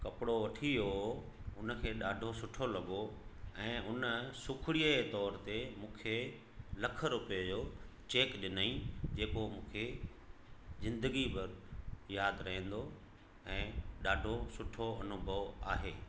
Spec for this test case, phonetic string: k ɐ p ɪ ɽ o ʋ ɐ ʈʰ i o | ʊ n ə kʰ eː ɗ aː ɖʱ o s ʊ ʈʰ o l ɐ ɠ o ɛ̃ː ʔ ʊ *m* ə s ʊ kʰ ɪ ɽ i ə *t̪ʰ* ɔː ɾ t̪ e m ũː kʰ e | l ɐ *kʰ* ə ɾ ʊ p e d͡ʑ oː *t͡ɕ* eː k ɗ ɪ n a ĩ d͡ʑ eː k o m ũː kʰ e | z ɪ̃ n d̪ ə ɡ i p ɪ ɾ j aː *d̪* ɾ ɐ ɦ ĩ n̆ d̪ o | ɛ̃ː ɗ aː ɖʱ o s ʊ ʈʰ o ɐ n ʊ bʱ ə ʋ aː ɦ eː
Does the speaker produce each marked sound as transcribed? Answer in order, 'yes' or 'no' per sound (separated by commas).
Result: no, no, yes, yes, yes